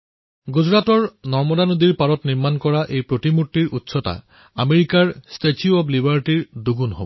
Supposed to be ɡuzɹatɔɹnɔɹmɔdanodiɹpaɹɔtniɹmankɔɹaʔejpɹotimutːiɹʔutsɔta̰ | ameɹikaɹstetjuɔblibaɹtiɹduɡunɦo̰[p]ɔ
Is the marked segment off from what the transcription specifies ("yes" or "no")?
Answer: yes